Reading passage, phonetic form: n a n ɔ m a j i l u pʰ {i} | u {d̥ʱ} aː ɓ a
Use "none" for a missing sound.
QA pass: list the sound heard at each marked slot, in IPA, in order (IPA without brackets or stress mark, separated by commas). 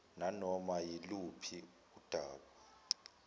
i, d̥ʱ